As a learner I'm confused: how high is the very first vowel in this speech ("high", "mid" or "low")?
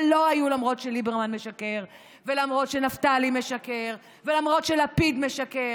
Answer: mid